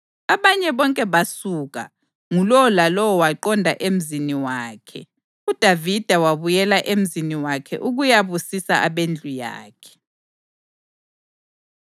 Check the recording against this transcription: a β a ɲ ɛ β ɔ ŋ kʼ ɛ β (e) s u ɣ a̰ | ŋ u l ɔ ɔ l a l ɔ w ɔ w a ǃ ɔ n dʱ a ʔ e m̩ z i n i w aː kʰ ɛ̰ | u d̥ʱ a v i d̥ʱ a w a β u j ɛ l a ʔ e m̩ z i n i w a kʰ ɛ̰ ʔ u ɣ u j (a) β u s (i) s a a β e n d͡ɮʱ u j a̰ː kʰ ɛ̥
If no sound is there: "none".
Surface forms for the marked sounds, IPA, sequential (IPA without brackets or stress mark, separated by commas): a, a, i